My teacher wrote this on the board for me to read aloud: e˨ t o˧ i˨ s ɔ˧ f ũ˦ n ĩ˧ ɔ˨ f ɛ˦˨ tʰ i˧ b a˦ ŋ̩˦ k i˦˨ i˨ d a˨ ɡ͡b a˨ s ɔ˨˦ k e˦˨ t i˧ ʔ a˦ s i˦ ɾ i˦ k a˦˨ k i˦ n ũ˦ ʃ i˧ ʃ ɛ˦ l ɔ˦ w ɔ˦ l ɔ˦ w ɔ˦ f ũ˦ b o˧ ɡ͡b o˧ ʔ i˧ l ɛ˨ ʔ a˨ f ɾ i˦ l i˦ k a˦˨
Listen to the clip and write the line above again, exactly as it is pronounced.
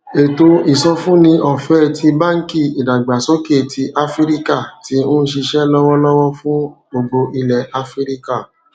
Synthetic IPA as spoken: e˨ t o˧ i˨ s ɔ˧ f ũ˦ n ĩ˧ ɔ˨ f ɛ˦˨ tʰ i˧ b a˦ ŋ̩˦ k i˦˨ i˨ d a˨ ɡ͡b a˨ s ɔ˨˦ k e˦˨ t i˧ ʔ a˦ f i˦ ɾ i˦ k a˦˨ t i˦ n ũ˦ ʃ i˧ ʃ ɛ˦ l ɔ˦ w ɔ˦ l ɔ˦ w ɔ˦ f ũ˦ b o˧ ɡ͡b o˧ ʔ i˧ l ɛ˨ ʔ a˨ f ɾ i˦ ɾ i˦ k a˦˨